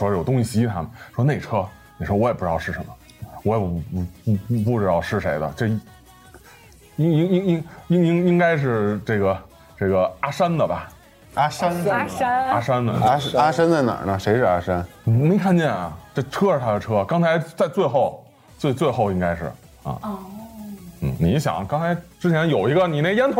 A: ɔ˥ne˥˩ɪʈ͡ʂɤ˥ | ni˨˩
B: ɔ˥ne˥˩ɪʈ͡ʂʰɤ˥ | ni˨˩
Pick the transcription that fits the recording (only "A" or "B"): B